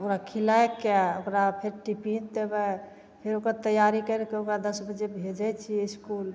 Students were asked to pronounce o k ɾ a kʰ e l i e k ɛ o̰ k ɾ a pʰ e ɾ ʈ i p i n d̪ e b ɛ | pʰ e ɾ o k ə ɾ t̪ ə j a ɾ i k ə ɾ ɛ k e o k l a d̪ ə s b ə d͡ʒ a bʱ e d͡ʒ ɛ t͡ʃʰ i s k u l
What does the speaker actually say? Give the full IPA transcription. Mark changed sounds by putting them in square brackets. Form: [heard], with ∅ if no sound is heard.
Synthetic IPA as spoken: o k ɾ a kʰ [i] l [a] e k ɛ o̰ k ɾ a pʰ e ɾ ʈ i p i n d̪ e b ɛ | pʰ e ɾ o k ə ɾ t̪ ə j a ɾ i k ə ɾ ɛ k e o k [ɾ] a d̪ ə s b ə d͡ʒ [e] bʱ e d͡ʒ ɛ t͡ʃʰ i s k u l